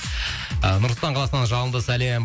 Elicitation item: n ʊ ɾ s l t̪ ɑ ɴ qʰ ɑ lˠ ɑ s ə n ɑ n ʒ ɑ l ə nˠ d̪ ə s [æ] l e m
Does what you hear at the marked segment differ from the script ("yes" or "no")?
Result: no